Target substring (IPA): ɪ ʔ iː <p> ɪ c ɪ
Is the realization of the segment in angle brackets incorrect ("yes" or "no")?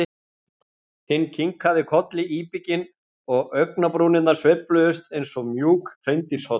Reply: no